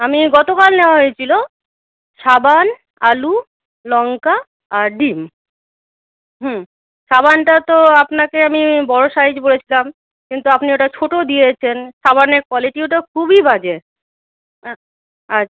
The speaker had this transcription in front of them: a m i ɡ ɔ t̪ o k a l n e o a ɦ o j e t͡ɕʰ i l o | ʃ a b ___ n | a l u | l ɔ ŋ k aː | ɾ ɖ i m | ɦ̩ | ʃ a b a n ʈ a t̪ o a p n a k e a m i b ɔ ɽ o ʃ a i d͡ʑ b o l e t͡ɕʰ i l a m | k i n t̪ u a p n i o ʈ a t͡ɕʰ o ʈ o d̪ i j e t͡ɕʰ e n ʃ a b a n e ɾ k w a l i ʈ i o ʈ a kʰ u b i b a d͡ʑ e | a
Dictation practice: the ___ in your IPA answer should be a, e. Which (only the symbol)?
a